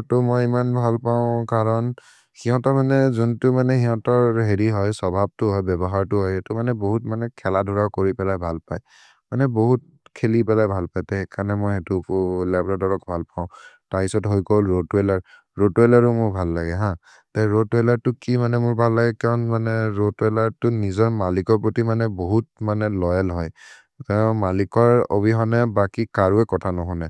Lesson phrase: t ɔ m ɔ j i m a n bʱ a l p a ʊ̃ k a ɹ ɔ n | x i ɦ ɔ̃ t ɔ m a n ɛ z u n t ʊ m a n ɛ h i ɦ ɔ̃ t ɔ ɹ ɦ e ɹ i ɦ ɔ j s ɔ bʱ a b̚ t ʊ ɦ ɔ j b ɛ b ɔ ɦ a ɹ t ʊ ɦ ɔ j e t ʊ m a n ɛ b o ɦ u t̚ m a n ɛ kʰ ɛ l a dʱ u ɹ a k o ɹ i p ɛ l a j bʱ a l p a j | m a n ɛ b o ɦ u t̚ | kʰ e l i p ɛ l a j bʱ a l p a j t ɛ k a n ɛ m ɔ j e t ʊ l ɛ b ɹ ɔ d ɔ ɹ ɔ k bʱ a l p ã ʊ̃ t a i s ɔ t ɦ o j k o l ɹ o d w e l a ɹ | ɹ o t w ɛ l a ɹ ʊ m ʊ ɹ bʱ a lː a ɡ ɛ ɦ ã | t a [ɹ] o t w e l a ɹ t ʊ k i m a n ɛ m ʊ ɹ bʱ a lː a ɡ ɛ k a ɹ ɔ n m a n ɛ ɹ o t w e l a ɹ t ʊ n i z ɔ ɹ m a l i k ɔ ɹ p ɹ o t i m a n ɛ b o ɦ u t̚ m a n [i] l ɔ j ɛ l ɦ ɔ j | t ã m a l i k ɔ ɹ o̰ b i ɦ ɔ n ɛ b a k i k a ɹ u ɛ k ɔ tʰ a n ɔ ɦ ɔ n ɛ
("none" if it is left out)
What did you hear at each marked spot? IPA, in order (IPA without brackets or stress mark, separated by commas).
ɹ, ɛ